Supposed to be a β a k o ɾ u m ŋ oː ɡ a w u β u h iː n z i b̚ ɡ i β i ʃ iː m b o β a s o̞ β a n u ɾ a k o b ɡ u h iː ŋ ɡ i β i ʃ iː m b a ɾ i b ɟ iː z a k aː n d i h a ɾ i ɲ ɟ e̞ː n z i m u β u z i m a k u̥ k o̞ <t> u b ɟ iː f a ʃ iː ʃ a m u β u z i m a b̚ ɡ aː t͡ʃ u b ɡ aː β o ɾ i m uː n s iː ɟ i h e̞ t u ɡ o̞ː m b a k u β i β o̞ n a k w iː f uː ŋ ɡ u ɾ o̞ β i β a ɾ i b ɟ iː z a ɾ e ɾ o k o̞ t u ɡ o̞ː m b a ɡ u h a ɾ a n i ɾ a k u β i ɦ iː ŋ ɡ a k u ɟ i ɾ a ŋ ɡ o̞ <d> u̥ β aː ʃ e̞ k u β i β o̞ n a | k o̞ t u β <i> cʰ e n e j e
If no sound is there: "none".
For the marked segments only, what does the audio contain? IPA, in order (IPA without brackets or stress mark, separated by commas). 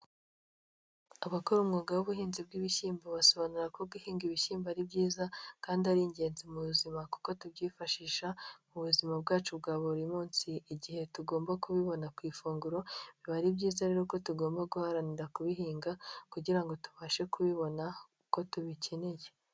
t, t, i